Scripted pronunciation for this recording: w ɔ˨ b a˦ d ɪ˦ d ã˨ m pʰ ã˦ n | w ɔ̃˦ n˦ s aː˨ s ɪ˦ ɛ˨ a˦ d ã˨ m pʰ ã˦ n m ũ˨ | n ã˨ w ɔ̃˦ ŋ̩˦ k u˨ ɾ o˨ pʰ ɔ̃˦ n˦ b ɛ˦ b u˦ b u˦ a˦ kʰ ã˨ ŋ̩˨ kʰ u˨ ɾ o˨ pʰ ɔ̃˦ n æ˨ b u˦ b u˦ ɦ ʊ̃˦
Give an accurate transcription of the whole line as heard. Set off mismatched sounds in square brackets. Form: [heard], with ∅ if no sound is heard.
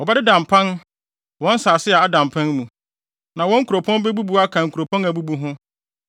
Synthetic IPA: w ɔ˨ b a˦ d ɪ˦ d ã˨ m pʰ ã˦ n | w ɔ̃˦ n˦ s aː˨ s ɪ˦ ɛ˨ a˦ d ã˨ m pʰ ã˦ n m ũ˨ | n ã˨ w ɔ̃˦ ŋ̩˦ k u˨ ɾ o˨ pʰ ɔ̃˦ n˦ b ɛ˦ b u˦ b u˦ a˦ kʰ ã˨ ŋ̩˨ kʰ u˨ ɾ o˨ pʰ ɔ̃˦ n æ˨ b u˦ b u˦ ɦ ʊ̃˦